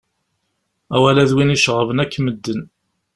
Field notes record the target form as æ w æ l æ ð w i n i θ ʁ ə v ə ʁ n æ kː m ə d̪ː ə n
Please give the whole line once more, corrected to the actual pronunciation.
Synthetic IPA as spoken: æ w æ l æ ð w i n i ʃ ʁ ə v ə n æ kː m ə d̪ː ə n